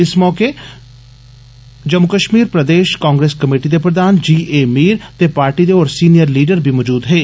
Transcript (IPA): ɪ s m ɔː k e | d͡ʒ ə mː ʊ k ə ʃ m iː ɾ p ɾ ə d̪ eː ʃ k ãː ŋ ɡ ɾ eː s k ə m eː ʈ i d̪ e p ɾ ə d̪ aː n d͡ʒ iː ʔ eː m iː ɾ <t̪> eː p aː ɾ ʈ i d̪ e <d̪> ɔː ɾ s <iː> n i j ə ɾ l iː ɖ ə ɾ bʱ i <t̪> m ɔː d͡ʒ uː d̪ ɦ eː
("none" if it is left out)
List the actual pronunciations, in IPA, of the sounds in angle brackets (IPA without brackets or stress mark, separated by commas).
t̪, none, iː, none